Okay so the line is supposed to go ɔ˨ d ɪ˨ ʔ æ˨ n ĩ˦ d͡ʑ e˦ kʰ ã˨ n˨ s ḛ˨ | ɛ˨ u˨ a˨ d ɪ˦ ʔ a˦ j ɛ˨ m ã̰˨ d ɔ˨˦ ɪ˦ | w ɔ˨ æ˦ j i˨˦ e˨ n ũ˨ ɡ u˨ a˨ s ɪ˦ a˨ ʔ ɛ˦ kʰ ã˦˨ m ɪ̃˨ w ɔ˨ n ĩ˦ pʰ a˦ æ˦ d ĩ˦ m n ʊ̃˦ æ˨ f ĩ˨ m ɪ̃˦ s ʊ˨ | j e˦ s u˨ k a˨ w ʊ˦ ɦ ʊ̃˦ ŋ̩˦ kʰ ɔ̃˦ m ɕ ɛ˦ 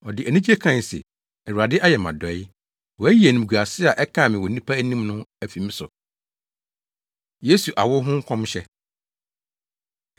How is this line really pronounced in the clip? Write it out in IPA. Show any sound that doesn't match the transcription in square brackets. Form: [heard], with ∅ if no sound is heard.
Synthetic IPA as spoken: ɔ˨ d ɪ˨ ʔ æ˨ n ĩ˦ d͡ʑ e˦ kʰ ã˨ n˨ s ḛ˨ | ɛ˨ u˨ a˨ d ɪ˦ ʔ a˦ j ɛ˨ m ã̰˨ d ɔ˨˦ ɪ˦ | w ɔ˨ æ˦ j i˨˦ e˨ n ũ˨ ɡ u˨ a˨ s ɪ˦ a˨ ʔ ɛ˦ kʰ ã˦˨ m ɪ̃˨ w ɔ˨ n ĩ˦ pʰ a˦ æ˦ [n] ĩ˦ m n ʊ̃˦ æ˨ f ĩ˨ m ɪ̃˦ s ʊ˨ | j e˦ s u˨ [ʔ] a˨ w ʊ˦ ɦ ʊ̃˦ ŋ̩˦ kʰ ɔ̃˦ m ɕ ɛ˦